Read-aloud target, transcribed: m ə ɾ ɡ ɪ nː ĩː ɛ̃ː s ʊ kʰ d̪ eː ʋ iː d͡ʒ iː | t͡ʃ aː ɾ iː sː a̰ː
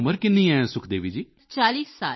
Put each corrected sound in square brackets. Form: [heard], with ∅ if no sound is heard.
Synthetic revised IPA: m ə ɾ [k] ɪ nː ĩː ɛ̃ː s ʊ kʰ d̪ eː ʋ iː d͡ʒ iː | t͡ʃ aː [l] iː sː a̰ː